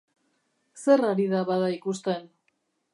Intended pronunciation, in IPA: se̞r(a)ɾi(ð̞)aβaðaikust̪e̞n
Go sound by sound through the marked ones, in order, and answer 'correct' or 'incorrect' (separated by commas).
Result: correct, correct